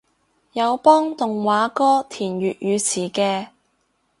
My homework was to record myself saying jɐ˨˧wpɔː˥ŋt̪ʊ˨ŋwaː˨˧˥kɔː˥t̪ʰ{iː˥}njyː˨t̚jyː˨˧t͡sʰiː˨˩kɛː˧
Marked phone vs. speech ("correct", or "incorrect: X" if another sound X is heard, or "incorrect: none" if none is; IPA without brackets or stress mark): incorrect: iː˨˩